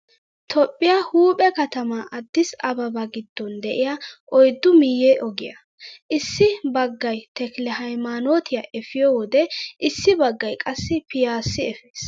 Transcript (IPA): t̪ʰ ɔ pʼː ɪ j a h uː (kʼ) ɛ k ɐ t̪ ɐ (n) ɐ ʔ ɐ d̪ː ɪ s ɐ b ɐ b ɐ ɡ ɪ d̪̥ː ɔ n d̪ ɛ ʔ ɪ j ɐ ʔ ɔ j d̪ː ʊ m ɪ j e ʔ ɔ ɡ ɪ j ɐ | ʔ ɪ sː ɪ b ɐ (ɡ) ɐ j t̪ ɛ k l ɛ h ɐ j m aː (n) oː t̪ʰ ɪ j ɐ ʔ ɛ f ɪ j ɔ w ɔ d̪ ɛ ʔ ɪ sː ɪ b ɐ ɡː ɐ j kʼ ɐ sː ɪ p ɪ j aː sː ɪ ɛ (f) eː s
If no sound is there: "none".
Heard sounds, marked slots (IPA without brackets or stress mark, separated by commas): pʼ, m, ɡː, n, f